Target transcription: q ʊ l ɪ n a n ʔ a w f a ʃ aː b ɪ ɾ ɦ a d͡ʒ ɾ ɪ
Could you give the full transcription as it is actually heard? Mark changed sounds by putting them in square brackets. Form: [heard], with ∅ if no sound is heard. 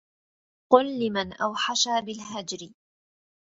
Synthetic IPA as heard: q ʊ [lː] ɪ [m] a n ʔ a w [ħ] a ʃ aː b ɪ [l] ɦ a d͡ʒ ɾ ɪ